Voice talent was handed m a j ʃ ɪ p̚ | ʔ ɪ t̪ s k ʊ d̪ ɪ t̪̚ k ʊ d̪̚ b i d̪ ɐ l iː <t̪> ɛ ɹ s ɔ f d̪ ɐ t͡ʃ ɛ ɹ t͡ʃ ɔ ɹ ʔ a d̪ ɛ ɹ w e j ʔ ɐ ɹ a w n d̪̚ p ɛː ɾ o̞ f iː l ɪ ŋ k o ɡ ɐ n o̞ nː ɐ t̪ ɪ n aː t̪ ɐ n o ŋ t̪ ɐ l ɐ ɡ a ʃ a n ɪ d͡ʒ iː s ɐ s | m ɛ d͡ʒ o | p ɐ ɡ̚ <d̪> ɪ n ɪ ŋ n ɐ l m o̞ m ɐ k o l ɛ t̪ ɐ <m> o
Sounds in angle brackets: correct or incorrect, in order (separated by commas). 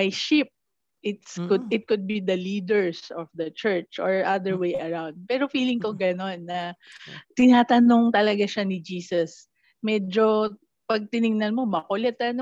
incorrect, incorrect, incorrect